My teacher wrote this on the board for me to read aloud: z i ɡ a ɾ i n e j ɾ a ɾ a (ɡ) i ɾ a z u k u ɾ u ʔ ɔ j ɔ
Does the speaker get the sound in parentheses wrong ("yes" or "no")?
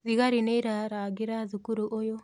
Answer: no